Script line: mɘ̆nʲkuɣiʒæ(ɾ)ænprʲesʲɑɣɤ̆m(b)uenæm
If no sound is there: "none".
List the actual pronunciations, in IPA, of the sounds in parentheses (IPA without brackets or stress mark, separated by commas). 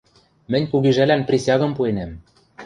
l, p